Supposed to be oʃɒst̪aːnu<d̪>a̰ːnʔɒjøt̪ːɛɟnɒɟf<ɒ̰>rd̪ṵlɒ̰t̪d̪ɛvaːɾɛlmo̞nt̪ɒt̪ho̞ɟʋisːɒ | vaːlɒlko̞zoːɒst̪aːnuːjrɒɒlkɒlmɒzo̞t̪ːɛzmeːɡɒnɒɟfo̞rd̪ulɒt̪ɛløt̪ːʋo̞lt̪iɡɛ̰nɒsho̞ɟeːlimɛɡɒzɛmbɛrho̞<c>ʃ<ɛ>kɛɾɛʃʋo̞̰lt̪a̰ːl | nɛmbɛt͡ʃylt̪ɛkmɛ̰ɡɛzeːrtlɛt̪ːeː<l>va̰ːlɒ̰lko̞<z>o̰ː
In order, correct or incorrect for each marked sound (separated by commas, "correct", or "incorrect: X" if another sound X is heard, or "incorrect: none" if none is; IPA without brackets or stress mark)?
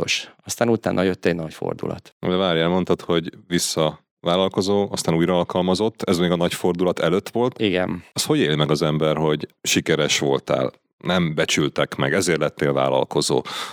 incorrect: t̪, incorrect: o̰, incorrect: ɟ, incorrect: i, correct, correct